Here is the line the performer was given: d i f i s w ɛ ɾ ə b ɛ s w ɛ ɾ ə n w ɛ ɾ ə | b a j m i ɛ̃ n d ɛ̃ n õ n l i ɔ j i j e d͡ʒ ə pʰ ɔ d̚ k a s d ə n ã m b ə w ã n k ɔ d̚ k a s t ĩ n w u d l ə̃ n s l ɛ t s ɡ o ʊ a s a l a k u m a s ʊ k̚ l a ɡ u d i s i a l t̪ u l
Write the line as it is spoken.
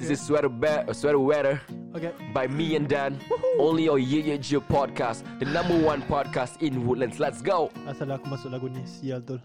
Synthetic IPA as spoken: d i s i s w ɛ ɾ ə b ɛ s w ɛ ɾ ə w ɛ ɾ ə | b a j m i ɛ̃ n d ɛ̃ n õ n l i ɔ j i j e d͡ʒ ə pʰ ɔ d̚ k a s d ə n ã m b ə w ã n p ɔ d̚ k a s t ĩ n w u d l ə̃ n s l ɛ t s ɡ o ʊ a s a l a k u m a s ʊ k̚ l a ɡ u n i s i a l t̪ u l